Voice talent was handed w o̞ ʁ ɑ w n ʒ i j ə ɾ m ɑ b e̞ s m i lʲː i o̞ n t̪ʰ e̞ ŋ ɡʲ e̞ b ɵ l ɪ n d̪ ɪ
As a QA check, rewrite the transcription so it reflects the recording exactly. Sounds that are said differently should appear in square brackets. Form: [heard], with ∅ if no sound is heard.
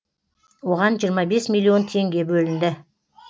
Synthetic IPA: w o̞ ʁ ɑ [∅] n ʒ i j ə ɾ m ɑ b e̞ s m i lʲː i o̞ n t̪ʰ e̞ ŋ ɡʲ e̞ b ɵ l ɪ n d̪ ɪ